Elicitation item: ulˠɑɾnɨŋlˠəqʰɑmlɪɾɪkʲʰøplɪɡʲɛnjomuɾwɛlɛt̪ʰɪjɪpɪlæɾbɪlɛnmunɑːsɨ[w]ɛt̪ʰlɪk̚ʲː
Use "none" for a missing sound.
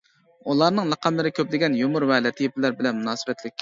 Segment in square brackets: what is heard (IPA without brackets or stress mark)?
b